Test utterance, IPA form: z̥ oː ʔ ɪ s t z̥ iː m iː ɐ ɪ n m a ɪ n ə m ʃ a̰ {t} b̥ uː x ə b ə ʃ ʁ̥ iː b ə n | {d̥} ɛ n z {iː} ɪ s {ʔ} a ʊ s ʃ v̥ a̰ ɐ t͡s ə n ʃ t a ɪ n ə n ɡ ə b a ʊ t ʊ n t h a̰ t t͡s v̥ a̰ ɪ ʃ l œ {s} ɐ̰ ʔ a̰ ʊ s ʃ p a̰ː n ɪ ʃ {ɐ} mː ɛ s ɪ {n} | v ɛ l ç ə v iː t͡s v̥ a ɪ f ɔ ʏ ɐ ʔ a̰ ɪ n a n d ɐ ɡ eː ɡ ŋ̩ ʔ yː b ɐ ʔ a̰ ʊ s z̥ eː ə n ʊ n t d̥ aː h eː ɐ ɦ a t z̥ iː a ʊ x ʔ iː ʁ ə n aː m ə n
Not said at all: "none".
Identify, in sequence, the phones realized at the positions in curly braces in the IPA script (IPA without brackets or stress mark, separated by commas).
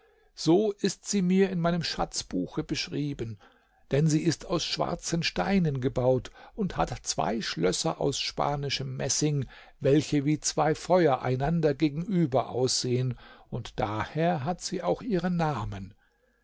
t͡s, d̥, iː, t, s, ə, ŋ